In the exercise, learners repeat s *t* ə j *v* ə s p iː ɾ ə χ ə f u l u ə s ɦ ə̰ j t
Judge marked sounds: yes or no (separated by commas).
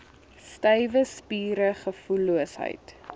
yes, yes